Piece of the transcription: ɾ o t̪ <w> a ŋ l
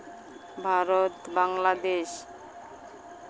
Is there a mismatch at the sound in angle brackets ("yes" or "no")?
yes